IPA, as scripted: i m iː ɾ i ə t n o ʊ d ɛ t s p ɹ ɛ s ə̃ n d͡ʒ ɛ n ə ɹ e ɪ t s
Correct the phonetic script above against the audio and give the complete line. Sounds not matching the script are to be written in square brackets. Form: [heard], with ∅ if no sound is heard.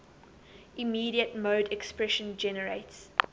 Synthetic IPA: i m iː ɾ i ə t [m] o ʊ d ɛ [k] s p ɹ ɛ [ʃ] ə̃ n d͡ʒ ɛ n ə ɹ e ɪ t s